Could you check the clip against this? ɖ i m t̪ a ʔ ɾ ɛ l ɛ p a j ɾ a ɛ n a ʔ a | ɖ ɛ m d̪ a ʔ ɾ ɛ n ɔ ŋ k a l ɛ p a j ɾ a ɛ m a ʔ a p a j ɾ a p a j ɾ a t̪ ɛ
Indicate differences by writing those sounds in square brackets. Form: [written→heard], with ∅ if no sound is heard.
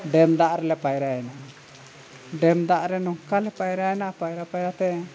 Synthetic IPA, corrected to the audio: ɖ [i→ɛ] m [t̪→d̪] a ʔ ɾ ɛ l ɛ p a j ɾ a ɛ n a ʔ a | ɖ ɛ m d̪ a ʔ ɾ ɛ n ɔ ŋ k a l ɛ p a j ɾ a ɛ [m→n] a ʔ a p a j ɾ a p a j ɾ a t̪ ɛ